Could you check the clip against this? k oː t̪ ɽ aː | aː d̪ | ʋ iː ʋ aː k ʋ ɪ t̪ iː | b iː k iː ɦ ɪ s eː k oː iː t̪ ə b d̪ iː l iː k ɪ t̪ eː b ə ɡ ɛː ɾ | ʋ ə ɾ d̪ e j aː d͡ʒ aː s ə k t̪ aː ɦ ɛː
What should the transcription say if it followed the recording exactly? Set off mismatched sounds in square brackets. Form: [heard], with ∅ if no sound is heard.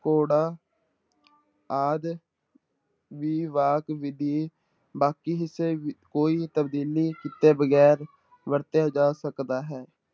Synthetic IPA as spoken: k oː [∅] ɽ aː | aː d̪ | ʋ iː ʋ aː k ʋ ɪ [d̪] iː | b [aː] k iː ɦ ɪ s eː k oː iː t̪ ə b d̪ iː l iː k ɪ t̪ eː b ə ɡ ɛː ɾ | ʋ ə ɾ [t̪] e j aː d͡ʒ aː s ə k [d̪] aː ɦ ɛː